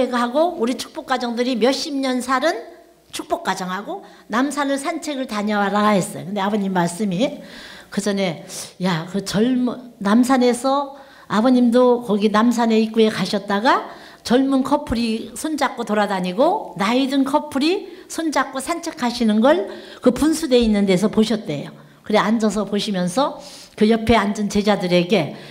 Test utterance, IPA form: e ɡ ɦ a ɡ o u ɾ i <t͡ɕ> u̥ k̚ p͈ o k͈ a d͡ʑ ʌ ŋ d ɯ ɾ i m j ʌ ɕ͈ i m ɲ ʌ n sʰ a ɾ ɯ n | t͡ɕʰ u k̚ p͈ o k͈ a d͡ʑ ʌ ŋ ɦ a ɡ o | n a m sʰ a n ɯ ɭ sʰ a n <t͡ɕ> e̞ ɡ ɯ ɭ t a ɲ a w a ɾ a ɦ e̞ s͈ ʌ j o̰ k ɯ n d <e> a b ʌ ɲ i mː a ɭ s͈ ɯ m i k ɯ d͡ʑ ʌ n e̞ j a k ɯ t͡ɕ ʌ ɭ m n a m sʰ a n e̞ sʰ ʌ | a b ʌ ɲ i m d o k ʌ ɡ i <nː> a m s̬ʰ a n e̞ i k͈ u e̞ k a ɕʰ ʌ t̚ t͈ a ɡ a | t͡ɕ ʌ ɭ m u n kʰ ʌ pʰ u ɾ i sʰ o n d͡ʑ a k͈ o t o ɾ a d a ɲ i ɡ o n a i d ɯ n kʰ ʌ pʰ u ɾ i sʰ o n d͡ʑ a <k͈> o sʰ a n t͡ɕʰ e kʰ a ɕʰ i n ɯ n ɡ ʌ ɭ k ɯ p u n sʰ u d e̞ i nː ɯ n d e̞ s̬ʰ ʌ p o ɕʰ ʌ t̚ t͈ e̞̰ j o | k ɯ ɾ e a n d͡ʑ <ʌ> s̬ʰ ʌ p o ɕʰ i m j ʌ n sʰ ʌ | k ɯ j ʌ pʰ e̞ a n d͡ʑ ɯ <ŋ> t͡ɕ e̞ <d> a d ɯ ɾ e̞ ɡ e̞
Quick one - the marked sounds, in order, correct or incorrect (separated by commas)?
incorrect, incorrect, correct, incorrect, correct, correct, incorrect, incorrect